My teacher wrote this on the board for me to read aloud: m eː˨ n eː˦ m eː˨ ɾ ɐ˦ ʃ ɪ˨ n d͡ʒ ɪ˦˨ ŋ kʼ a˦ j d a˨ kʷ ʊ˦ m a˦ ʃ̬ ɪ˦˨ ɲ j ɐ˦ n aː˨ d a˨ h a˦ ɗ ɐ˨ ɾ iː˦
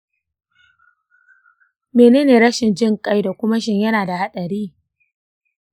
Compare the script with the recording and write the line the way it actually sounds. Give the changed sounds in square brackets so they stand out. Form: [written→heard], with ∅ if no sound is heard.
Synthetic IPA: m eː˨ n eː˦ [m→n] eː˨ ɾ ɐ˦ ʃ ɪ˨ n d͡ʒ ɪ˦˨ ŋ kʼ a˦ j d a˨ kʷ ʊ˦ m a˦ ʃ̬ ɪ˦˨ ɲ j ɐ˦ n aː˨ d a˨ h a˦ ɗ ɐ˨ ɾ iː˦